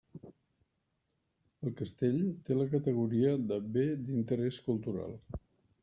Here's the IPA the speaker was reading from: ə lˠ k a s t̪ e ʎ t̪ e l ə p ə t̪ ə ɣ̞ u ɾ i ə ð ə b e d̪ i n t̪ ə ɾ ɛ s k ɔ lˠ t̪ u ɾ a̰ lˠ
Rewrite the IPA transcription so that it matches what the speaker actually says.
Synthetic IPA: ə lˠ k ə s t̪ e ʎ t̪ e l ə k ə t̪ ə ɣ̞ u ɾ i ə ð ə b e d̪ i n t̪ ə ɾ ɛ s k u lˠ t̪ u ɾ a̰ lˠ